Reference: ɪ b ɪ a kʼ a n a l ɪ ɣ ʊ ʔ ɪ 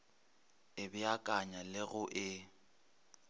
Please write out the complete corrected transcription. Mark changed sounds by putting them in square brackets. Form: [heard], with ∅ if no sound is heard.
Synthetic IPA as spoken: ɪ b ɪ a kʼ a [ɲ] a l ɪ ɣ ʊ ʔ ɪ